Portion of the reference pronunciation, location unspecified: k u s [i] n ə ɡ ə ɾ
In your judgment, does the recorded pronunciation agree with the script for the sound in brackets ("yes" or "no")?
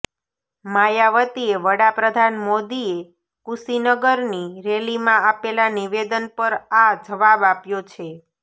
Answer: yes